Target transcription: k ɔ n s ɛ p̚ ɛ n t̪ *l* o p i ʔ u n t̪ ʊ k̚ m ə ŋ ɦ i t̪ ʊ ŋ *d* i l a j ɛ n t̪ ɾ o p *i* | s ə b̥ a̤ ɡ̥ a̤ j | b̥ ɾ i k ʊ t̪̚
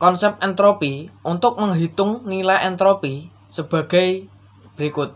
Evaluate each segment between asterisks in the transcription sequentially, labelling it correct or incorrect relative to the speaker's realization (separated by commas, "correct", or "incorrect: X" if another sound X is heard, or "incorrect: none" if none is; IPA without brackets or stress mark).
incorrect: ɾ, incorrect: n, correct